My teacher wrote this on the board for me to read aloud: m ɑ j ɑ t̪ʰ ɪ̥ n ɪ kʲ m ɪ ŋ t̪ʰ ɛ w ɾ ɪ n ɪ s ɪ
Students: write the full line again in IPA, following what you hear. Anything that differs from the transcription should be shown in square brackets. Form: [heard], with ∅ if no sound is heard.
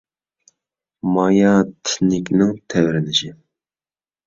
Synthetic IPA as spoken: m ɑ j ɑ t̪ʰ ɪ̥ n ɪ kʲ [n] ɪ ŋ t̪ʰ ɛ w ɾ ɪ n ɪ [ʃ] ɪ